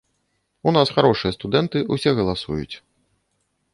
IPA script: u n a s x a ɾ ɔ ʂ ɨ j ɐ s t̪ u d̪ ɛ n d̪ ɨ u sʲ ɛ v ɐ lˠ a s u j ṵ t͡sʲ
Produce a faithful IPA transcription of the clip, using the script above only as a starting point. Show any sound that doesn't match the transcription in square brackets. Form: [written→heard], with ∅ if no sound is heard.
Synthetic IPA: u n a s x a ɾ ɔ ʂ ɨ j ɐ s t̪ u d̪ ɛ n [d̪→t̪] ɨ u sʲ ɛ [v→ɣ] ɐ lˠ a s u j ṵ t͡sʲ